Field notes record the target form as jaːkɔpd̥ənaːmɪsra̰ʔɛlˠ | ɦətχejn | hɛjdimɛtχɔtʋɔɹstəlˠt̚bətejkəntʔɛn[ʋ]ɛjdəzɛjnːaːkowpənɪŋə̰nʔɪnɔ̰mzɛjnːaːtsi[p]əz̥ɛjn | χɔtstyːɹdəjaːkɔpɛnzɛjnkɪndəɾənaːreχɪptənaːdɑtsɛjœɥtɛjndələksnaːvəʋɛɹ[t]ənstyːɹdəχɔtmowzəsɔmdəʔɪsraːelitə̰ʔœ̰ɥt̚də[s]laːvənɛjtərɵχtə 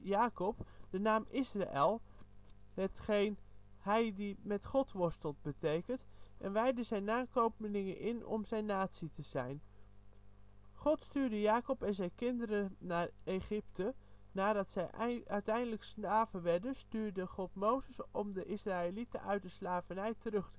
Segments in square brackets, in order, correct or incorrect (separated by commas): correct, incorrect, incorrect, correct